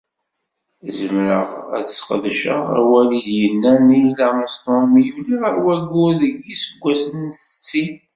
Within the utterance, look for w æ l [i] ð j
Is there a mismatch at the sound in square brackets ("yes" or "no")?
no